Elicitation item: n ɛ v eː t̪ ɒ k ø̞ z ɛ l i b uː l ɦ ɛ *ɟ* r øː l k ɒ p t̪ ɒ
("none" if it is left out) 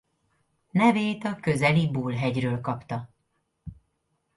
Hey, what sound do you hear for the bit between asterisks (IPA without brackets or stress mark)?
ɟ